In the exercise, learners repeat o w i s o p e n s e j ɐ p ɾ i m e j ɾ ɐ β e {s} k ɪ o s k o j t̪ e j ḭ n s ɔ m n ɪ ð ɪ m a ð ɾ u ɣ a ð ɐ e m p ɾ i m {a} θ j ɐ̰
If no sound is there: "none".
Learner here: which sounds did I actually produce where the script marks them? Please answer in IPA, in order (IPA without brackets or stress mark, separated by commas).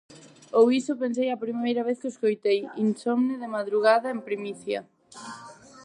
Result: θ, i